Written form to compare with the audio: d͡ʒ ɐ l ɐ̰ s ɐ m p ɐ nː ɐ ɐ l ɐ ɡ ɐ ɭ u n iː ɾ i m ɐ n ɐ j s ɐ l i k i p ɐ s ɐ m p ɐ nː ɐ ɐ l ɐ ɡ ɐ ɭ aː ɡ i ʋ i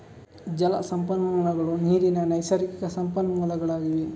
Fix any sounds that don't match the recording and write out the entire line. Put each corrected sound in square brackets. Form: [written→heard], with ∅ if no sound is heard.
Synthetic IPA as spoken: d͡ʒ ɐ l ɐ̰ s ɐ m p ɐ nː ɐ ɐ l ɐ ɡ ɐ ɭ u n iː ɾ i [m→n] ɐ n ɐ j s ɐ [l→ɾ] i k i [p→k] ɐ s ɐ m p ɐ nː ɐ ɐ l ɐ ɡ ɐ ɭ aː ɡ i ʋ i